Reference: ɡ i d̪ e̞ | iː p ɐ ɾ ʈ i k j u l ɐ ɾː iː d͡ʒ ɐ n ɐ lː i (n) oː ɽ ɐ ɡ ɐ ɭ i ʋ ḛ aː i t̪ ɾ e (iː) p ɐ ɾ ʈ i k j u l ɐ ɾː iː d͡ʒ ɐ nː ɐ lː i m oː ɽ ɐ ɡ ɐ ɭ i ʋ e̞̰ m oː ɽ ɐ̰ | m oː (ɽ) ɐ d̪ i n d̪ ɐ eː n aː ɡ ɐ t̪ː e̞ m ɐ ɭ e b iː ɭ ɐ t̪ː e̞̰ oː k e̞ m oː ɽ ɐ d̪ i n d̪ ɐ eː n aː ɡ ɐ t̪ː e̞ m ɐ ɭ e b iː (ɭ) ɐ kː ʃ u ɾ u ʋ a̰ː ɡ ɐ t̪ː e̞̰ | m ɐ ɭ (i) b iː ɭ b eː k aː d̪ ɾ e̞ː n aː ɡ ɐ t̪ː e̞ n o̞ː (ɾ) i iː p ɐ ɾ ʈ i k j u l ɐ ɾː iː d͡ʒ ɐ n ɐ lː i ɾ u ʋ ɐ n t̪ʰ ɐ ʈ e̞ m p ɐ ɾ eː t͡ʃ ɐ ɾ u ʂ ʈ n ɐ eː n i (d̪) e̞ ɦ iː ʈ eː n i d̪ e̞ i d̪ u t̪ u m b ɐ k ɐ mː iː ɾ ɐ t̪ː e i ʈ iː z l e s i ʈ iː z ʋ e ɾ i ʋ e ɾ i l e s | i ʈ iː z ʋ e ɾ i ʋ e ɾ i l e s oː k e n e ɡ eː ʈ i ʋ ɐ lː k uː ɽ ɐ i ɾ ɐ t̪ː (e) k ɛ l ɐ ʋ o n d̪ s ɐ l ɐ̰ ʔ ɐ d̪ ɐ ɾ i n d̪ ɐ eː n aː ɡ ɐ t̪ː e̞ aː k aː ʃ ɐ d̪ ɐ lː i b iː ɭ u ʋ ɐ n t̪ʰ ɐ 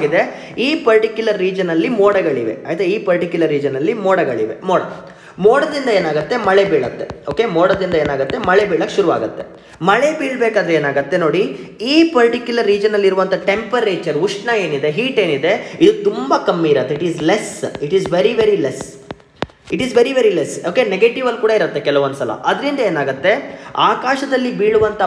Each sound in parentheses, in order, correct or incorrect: incorrect, correct, correct, correct, incorrect, incorrect, correct, correct

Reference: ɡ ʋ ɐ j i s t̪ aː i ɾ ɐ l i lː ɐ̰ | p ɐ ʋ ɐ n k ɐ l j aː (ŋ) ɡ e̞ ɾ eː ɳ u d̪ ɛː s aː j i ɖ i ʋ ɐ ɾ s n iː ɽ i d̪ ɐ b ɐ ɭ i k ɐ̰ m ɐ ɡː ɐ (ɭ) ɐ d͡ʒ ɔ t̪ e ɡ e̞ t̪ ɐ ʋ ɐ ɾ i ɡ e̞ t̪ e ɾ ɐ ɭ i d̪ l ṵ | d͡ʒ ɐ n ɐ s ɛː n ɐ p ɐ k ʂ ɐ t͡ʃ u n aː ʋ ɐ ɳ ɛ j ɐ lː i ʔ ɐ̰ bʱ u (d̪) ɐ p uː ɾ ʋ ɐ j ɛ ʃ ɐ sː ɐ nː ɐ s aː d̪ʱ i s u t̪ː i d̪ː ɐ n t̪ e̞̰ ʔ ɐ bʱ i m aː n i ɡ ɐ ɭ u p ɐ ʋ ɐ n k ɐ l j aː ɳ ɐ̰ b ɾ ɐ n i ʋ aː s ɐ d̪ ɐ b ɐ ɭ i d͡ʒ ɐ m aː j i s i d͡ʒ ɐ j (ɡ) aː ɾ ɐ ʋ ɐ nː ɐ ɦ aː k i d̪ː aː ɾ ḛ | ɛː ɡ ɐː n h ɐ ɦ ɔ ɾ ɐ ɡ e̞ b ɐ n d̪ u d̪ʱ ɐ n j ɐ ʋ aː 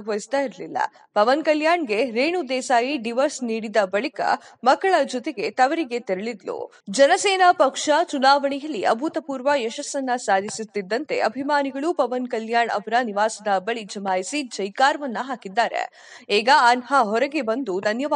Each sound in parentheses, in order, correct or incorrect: incorrect, correct, incorrect, incorrect

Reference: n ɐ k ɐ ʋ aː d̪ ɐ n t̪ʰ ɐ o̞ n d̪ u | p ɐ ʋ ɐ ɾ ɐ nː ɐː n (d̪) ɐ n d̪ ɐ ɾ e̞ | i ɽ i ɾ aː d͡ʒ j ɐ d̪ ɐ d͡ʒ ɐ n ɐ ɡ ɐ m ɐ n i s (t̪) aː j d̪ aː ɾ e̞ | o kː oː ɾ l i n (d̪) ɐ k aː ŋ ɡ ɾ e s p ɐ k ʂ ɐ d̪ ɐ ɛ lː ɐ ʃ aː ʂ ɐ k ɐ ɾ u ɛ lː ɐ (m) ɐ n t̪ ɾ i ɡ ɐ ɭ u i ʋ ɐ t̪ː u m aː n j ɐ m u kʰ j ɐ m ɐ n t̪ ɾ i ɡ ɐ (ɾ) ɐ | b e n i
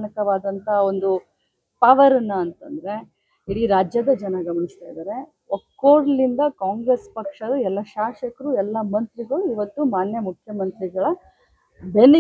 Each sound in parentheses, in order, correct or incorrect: incorrect, correct, correct, correct, incorrect

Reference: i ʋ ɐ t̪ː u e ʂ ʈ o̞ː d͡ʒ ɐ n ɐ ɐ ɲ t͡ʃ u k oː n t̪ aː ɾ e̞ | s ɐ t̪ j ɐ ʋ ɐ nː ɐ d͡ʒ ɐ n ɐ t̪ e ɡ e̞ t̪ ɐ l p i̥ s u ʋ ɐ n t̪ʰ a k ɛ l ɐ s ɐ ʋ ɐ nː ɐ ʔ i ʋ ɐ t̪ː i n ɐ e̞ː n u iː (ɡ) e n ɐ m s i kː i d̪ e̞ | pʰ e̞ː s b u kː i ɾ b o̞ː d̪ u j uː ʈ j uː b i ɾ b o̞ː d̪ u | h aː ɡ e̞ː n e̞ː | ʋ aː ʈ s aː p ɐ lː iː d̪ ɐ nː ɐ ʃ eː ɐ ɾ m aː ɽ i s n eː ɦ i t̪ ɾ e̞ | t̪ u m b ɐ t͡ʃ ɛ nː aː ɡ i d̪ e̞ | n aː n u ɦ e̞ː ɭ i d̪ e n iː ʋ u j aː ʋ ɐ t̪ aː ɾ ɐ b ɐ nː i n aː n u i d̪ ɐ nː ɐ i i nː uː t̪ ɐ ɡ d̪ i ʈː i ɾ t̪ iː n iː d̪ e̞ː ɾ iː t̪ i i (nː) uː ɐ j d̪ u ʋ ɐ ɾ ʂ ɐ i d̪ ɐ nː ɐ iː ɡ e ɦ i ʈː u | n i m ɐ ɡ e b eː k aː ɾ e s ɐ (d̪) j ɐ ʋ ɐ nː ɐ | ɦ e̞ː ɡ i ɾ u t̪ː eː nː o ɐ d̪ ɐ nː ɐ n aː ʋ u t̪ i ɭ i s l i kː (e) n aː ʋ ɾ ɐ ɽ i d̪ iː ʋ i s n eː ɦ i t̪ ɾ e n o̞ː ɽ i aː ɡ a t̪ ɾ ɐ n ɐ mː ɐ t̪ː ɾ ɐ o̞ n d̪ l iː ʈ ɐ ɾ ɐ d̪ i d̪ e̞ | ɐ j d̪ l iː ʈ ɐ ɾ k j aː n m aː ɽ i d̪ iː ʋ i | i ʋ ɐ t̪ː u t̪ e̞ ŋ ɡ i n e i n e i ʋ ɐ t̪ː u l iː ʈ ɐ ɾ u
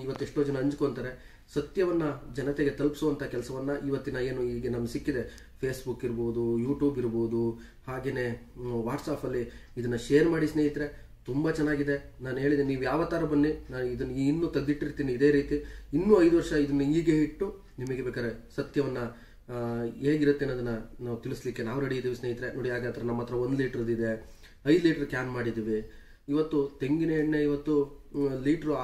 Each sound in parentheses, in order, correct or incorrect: correct, correct, incorrect, correct

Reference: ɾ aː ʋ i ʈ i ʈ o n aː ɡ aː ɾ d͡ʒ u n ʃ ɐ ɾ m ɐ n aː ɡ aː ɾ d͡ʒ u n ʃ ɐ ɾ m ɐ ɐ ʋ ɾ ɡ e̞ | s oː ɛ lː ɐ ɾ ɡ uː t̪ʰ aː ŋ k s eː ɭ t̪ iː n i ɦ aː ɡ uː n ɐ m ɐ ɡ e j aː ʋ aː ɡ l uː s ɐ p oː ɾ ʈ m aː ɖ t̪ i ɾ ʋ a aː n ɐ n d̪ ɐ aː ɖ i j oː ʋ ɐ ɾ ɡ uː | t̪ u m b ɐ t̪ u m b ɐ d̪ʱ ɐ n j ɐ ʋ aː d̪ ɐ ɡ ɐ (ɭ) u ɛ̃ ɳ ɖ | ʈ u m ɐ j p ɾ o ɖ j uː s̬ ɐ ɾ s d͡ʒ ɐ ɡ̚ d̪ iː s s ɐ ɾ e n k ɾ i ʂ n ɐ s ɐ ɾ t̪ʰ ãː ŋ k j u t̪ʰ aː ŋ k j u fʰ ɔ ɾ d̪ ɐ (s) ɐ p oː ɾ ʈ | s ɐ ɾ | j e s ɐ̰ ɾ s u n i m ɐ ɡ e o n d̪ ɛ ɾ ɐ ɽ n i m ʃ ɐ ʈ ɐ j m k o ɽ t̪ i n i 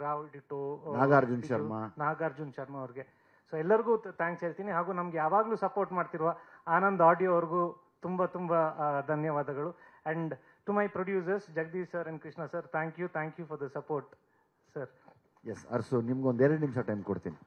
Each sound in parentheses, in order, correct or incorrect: correct, correct

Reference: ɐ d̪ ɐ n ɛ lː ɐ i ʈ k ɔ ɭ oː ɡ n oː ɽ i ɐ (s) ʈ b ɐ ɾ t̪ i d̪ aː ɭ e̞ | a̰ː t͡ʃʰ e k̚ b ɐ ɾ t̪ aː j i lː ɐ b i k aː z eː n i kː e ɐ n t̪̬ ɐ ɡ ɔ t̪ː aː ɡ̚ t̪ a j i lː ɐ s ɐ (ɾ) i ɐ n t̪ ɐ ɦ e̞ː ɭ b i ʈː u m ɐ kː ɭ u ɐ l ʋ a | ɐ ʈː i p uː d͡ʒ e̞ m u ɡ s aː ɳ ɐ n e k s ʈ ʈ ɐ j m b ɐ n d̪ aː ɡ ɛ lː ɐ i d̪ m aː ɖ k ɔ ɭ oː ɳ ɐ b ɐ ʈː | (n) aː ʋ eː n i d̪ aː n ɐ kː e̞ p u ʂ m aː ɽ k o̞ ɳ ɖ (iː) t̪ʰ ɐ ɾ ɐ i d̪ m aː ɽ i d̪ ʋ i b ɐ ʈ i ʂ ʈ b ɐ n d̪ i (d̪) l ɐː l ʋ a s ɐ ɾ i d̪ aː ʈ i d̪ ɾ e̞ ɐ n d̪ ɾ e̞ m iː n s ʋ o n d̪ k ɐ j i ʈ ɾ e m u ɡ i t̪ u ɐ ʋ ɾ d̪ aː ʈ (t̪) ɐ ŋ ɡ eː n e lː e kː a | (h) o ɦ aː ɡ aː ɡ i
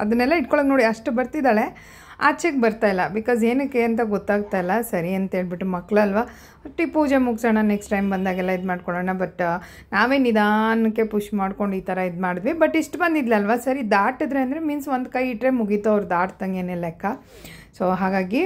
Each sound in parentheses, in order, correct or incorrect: incorrect, correct, correct, correct, correct, correct, incorrect

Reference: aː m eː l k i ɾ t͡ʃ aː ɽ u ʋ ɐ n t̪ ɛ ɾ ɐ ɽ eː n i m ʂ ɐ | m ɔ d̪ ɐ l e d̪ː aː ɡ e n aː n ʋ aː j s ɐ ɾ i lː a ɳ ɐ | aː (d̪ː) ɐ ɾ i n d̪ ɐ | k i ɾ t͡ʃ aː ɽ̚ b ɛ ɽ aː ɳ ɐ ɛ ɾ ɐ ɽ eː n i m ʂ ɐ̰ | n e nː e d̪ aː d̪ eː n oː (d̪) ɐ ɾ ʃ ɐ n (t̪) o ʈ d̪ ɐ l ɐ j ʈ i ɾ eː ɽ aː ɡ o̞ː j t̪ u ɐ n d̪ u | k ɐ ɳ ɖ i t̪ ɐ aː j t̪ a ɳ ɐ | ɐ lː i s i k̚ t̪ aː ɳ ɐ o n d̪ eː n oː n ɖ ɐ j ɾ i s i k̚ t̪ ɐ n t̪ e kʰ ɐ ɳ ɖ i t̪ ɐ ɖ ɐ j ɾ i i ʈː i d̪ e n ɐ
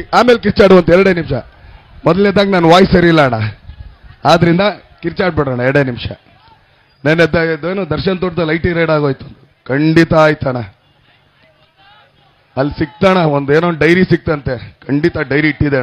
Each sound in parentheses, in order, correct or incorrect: incorrect, correct, correct

